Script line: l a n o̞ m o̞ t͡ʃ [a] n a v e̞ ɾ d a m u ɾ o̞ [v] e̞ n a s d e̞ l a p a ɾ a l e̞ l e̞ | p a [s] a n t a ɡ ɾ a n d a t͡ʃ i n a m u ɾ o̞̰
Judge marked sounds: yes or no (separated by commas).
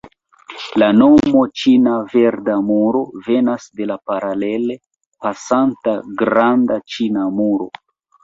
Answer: no, yes, yes